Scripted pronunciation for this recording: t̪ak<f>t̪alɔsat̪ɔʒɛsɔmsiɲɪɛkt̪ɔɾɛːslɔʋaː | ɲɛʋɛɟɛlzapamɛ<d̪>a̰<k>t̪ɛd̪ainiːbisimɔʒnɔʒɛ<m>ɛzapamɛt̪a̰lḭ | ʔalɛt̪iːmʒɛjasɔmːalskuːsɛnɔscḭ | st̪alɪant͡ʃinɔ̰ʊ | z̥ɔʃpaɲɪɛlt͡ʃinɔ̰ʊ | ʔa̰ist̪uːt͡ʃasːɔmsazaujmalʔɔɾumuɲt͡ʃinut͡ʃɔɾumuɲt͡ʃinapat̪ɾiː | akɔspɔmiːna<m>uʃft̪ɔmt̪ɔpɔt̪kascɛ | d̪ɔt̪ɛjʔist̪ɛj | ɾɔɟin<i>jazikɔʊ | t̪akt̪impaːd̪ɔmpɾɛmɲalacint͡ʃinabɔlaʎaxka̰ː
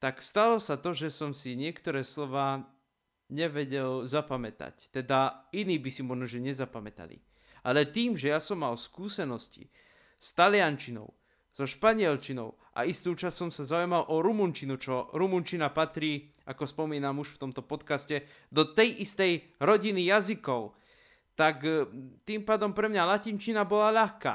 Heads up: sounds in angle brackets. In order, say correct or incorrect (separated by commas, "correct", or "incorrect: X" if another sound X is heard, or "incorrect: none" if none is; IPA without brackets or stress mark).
incorrect: s, incorrect: t̪, incorrect: c, incorrect: ɲ, correct, correct